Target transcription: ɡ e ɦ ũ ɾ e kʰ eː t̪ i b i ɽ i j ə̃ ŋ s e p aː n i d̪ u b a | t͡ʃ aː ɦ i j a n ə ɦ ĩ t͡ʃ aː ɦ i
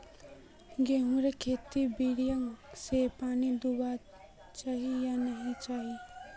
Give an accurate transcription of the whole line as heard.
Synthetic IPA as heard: ɡ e ɦ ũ ɾ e kʰ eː t̪ i b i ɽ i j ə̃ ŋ s e p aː n i d̪ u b a | t͡ʃ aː ɦ i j a n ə ɦ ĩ t͡ʃ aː ɦ i